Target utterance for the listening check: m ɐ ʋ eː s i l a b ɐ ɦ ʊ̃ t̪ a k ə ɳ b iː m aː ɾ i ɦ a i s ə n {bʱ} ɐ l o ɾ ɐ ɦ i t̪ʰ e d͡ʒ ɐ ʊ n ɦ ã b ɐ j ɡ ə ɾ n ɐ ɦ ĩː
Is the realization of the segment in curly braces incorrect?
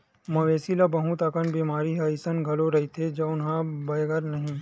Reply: yes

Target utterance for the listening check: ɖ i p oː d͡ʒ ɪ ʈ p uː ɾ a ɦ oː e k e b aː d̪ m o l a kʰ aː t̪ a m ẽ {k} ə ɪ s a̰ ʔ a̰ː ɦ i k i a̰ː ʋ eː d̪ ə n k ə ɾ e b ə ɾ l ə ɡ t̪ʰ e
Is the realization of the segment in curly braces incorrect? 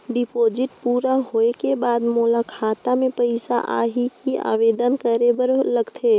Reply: yes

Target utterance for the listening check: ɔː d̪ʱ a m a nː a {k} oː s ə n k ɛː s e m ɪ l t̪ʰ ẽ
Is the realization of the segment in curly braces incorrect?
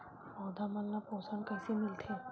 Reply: yes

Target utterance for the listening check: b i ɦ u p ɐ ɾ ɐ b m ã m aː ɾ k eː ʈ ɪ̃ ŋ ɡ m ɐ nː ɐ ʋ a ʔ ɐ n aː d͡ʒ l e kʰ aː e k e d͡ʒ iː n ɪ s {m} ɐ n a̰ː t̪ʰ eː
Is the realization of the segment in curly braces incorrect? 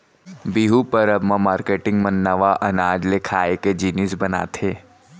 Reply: yes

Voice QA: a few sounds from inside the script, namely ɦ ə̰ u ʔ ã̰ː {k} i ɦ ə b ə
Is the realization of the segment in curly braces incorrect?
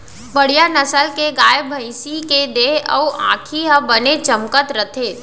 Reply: yes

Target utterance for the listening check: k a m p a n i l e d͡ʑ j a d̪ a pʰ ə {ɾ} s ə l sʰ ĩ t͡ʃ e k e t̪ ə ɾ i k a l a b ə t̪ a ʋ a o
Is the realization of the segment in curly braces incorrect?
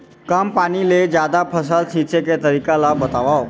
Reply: yes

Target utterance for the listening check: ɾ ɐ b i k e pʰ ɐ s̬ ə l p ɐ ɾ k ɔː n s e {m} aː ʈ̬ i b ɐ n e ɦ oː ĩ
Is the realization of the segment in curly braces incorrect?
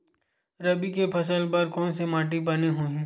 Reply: no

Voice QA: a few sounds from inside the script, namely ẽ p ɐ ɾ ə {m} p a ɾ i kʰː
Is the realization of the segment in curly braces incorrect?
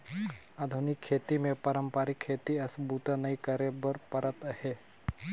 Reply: no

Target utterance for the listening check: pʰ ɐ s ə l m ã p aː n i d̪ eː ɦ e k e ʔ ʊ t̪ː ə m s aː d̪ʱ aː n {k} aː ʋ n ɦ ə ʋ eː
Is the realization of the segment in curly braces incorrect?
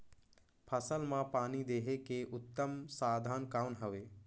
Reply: no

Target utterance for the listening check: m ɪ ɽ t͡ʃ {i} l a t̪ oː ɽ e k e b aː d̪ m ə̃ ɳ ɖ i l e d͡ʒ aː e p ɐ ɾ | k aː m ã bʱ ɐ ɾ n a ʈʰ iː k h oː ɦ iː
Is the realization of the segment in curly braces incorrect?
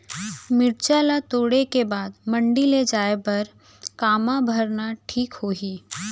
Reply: yes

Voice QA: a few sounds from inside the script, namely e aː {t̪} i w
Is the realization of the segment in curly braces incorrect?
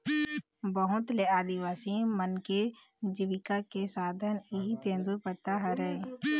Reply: yes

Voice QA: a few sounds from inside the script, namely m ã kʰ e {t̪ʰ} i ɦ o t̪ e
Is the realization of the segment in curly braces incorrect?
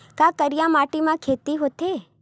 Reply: yes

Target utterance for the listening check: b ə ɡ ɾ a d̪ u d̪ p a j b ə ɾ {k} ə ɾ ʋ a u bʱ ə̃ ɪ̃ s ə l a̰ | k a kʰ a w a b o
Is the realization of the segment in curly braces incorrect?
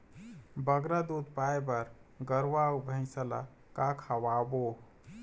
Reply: yes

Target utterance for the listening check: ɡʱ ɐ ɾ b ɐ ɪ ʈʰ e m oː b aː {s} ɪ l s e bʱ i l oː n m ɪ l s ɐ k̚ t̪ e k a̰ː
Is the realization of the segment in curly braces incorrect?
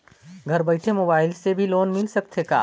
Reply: yes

